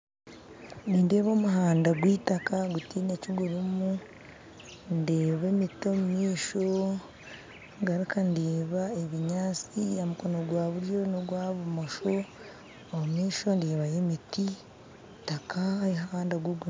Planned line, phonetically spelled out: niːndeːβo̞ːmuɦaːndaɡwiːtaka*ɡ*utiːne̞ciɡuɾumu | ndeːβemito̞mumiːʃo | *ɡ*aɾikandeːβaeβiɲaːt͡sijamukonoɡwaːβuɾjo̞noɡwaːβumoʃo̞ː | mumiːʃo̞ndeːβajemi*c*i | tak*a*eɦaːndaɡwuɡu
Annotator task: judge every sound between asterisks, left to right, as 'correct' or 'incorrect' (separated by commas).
correct, correct, incorrect, correct